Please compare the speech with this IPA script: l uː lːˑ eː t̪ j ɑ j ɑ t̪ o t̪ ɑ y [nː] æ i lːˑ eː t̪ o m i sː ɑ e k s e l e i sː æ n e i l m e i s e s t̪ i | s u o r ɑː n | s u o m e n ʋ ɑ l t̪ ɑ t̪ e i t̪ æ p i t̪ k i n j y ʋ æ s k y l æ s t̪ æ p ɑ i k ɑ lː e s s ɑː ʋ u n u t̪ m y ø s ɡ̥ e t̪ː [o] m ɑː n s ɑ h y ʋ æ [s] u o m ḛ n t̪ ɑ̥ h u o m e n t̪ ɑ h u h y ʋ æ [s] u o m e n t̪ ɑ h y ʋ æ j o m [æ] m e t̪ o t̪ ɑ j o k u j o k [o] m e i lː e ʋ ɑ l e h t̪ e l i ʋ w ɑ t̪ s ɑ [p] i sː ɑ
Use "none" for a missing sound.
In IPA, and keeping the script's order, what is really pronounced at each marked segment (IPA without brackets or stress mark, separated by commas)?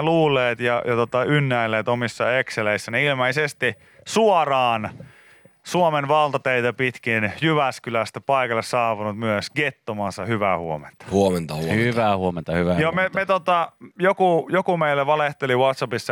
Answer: nː, o, h, h, e, u, p